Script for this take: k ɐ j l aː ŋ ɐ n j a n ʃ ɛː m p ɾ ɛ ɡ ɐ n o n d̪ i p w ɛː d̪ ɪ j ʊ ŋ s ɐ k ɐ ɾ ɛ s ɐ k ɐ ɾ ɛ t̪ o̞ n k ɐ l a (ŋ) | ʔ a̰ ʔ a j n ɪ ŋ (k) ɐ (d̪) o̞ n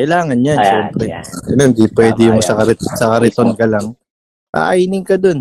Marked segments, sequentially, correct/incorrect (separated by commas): correct, correct, correct